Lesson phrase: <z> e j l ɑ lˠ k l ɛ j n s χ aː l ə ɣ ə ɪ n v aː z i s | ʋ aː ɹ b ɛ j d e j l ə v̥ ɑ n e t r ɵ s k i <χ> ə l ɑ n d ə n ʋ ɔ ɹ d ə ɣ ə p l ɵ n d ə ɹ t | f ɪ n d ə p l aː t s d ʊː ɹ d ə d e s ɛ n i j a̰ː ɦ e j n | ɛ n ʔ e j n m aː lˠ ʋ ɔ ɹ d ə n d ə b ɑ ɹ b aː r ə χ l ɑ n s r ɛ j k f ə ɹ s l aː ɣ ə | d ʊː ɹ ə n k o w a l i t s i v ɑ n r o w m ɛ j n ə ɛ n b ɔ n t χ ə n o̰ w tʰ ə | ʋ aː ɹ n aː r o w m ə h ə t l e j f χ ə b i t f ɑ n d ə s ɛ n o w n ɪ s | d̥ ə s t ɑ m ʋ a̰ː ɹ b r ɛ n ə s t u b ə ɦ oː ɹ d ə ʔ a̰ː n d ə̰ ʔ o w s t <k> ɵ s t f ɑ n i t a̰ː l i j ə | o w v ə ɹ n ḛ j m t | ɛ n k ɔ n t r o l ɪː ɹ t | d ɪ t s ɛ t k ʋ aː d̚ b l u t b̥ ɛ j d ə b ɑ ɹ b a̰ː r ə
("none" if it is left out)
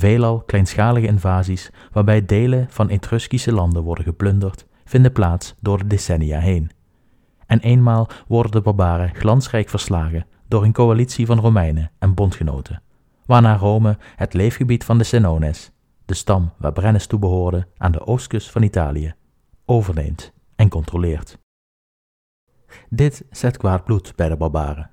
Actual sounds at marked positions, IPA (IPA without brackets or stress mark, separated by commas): v, s, k